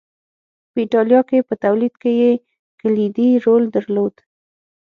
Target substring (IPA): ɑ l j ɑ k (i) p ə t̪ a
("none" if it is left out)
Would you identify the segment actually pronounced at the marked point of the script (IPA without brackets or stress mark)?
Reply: e